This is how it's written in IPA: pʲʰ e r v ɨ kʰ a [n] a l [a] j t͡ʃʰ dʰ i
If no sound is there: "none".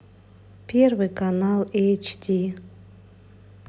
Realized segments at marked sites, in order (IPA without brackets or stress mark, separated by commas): n, e